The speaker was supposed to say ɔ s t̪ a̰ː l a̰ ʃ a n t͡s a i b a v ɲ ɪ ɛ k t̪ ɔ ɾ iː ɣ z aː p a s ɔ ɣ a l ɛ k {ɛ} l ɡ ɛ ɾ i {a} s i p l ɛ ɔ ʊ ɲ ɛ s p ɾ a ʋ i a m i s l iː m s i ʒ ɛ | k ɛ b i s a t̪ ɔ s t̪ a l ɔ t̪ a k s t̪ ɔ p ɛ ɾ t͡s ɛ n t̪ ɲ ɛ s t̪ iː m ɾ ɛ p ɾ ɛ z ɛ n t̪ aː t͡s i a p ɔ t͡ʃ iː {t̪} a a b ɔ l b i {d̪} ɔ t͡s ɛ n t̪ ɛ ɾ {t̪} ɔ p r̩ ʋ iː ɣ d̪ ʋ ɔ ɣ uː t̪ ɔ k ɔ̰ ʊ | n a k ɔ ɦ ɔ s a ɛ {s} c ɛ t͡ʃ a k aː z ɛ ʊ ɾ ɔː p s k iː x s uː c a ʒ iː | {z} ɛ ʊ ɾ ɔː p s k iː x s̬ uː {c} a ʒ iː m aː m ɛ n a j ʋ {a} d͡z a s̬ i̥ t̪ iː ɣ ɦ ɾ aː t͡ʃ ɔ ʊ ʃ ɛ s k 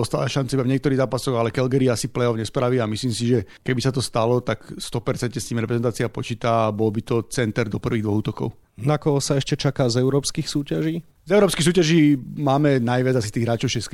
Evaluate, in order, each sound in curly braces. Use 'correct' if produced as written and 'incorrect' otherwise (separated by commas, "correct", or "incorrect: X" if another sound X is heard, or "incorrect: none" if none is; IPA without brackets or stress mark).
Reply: correct, correct, correct, incorrect: t̪, incorrect: d̪, incorrect: ʃ, correct, correct, correct